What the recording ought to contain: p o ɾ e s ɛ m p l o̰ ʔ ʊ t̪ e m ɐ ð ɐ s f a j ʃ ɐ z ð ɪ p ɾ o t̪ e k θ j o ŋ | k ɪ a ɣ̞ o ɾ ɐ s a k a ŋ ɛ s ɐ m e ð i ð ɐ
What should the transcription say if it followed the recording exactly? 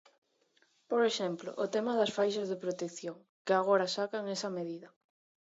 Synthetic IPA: p o ɾ e ʃ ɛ m p l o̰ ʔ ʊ t̪ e m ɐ ð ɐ s f a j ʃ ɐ z ð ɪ p ɾ o t̪ e k θ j o ŋ | k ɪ a ɣ̞ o ɾ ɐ s a k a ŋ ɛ s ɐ m e ð i ð ɐ